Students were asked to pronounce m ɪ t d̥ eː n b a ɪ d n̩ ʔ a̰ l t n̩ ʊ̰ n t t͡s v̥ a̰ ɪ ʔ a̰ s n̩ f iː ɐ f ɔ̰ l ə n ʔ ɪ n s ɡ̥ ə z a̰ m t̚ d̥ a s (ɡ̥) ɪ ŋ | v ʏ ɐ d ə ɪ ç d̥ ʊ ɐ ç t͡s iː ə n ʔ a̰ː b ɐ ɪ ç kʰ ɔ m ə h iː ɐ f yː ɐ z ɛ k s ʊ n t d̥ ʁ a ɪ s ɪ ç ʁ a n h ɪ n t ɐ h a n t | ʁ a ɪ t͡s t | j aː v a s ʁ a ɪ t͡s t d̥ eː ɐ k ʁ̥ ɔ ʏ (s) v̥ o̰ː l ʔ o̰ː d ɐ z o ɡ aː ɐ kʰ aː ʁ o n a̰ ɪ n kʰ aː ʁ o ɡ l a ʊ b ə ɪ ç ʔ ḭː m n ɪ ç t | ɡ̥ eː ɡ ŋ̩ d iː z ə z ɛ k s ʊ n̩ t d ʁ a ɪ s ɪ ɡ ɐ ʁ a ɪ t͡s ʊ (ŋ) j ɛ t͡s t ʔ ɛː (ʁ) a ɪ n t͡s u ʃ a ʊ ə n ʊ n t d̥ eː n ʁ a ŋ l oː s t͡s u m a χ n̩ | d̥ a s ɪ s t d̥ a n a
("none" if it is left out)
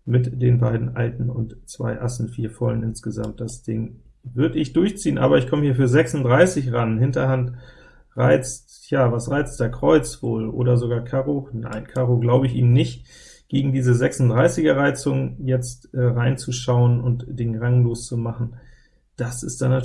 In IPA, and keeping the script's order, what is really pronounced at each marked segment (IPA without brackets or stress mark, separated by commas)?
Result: d̥, t͡s, ŋ, ʁ